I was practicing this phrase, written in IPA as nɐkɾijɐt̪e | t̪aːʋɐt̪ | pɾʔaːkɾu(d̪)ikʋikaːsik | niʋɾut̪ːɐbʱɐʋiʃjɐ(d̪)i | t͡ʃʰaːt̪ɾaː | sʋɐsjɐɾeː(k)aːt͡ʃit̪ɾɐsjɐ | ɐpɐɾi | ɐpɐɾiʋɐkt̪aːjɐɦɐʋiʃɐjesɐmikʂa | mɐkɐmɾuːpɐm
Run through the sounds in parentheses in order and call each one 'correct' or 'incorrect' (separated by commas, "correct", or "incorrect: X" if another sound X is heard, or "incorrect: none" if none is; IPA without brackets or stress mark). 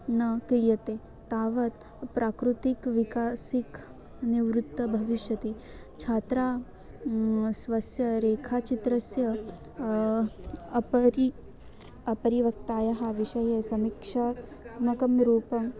incorrect: t̪, incorrect: t̪, incorrect: kʰ